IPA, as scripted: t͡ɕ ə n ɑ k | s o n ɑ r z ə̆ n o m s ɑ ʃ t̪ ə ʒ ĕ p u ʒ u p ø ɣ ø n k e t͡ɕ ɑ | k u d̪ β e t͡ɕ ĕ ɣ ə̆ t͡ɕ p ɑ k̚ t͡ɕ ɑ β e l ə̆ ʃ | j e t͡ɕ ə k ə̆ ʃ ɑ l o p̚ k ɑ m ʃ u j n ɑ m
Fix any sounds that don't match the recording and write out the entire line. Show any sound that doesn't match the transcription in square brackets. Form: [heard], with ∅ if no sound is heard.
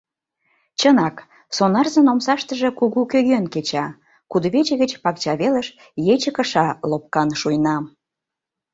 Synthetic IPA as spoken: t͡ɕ ə n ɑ k | s o n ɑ r z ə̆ n o m s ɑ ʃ t̪ ə ʒ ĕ [k] u [ɣ] u [k] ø ɣ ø n k e t͡ɕ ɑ | k u d̪ β e t͡ɕ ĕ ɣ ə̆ t͡ɕ p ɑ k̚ t͡ɕ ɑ β e l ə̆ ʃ | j e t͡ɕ ə k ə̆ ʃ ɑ l o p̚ k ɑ [n] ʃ u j n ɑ m